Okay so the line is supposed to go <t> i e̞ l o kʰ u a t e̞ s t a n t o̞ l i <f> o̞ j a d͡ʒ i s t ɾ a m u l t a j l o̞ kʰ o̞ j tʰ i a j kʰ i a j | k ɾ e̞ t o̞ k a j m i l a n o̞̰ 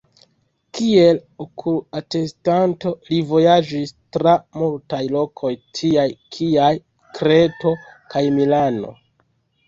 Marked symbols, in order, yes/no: no, no

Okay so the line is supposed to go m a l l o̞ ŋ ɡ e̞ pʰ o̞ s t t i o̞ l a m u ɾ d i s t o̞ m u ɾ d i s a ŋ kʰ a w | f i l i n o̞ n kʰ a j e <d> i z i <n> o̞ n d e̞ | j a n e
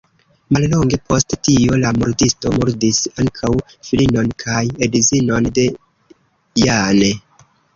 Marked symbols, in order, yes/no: yes, yes

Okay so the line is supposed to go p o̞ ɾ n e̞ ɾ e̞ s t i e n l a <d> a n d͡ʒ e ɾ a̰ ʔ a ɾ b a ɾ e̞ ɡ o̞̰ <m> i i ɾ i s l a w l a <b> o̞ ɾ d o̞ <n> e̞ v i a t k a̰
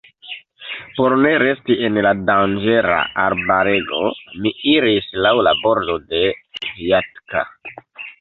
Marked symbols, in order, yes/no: yes, yes, yes, no

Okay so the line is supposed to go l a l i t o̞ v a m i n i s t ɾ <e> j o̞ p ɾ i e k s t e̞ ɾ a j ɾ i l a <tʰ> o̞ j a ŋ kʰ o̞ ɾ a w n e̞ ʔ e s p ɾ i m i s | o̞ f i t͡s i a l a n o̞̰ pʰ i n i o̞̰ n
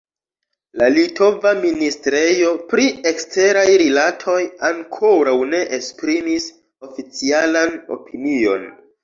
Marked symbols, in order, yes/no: yes, yes

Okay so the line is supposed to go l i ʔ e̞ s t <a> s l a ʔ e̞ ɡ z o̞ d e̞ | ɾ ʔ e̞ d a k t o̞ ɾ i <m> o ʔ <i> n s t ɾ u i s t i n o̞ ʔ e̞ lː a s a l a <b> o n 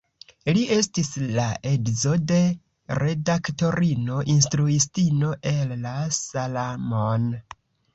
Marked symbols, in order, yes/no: no, no, yes, no

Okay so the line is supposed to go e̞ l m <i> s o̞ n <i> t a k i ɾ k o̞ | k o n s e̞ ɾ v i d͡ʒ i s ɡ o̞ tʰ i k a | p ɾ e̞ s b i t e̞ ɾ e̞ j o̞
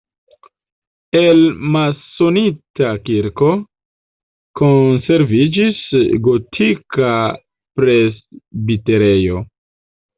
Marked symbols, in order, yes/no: no, yes

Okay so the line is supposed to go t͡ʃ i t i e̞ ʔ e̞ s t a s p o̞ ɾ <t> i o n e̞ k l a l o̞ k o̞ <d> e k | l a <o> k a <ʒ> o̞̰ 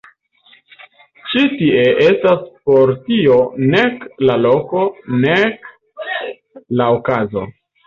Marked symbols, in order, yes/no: yes, no, yes, no

